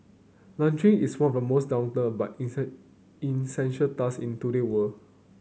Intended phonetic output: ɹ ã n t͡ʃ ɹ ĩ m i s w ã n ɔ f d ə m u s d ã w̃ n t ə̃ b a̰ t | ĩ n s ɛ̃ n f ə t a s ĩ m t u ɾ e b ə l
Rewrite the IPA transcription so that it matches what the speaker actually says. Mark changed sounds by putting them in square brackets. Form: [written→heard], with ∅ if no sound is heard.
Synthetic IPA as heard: [ɹ→l] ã n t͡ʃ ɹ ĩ [m→ŋ] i s w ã n ɔ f d ə m [u→o] s d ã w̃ n t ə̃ b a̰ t | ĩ n s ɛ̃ n [f→ʃ] ə t a s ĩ [m→n] t u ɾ e [b→w] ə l